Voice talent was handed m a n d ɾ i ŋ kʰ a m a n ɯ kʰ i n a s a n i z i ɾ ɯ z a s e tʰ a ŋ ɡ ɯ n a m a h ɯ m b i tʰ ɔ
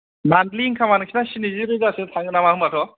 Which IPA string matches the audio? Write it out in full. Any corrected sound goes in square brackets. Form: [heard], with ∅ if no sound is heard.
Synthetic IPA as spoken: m a n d [l] i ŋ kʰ a m a n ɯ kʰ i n a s [i] n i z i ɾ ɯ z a s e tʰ a ŋ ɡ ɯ n a m a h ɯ m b [a] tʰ ɔ